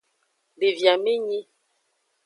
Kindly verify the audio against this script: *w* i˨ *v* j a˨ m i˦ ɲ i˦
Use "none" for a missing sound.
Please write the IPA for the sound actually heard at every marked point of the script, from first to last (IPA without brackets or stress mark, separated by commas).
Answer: b, v